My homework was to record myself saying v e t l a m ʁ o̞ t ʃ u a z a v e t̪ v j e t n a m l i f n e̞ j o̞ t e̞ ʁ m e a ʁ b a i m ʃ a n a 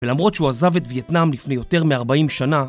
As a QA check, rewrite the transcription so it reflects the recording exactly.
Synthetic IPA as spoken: v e l a m ʁ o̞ t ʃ u a z a v e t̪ v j e t n a m l i f n e̞ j o̞ t e̞ ʁ m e a ʁ b a i m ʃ a n a